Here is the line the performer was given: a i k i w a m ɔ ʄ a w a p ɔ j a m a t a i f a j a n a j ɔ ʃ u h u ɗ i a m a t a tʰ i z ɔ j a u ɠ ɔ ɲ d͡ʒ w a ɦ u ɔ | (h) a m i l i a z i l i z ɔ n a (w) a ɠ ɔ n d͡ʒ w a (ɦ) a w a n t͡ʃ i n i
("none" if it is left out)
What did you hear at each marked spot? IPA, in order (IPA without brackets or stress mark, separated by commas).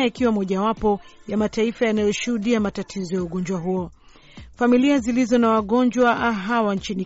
f, w, ɦ